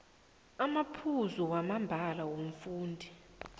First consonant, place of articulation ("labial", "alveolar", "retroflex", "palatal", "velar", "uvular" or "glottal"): labial